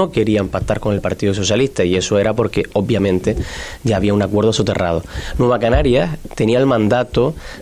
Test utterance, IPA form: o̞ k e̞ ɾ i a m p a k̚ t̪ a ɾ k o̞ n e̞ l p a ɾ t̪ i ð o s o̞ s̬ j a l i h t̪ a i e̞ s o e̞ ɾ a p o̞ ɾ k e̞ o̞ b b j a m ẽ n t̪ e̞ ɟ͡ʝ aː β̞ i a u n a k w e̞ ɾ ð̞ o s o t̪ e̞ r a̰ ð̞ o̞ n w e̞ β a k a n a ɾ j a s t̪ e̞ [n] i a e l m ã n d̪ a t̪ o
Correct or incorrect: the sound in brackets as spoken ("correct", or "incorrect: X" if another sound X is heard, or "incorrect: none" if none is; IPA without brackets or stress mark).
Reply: correct